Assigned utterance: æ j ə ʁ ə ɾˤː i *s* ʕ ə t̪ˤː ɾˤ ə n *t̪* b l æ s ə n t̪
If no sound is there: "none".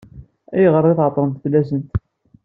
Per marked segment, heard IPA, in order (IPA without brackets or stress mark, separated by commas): θ, t̪